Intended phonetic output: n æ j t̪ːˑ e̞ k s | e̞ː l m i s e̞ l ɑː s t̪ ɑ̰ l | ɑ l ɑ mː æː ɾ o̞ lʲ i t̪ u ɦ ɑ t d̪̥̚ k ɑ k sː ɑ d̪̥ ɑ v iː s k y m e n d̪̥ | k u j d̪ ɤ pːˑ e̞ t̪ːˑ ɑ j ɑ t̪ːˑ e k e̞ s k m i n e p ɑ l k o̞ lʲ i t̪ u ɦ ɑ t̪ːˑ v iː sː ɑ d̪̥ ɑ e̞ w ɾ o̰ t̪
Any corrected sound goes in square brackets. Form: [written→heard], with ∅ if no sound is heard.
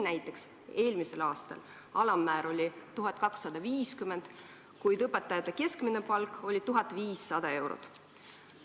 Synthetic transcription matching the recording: n æ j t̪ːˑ e̞ k s | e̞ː l m i s e̞ l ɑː s t̪ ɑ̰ l | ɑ l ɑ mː æː ɾ o̞ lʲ i t̪ u ɦ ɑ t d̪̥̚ k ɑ k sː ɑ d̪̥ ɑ v iː s k y m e n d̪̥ | k u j d̪ ɤ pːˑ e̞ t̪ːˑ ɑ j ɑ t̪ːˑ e k e̞ s k m i n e p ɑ l k o̞ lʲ i t̪ u ɦ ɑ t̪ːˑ v iː sː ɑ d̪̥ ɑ e̞ w ɾ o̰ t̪